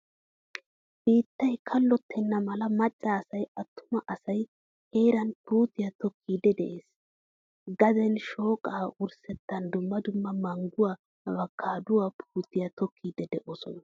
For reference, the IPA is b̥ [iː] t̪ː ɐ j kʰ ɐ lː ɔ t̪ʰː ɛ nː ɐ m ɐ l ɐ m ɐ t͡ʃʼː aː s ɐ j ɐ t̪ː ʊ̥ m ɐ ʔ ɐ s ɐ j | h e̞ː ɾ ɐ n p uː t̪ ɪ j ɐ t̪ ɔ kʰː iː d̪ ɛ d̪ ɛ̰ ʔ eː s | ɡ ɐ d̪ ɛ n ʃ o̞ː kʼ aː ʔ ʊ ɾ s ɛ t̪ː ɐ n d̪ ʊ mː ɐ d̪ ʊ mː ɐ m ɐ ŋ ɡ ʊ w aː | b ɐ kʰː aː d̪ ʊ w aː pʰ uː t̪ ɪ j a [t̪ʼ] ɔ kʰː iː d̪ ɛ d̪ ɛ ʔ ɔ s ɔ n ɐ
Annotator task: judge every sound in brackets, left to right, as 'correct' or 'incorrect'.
correct, incorrect

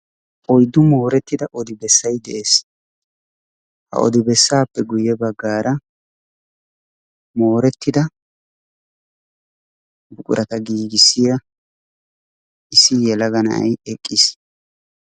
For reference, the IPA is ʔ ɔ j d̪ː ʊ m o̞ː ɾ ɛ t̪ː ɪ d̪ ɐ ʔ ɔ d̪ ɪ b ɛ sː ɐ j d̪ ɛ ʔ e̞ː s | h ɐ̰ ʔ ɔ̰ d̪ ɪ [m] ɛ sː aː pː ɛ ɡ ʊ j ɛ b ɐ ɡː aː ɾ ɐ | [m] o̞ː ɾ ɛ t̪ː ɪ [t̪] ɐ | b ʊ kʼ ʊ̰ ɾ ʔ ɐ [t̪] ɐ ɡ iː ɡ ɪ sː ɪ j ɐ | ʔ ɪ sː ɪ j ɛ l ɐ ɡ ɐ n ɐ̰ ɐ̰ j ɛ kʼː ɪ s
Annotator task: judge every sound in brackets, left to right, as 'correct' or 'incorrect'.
incorrect, correct, incorrect, correct

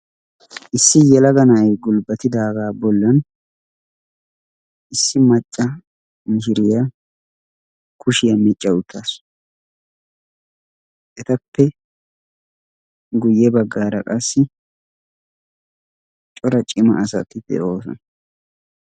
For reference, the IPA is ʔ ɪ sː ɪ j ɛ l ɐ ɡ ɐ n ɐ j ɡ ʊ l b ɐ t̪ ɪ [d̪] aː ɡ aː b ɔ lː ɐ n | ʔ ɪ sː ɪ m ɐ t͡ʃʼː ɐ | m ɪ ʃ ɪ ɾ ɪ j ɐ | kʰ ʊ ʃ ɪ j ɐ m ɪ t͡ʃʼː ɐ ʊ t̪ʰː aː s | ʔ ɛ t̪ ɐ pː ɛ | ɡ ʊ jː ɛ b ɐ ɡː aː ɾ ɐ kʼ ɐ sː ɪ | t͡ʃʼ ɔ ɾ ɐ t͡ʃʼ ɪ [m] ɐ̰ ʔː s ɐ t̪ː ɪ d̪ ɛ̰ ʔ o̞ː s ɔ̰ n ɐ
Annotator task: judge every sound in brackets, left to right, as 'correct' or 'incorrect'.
correct, correct

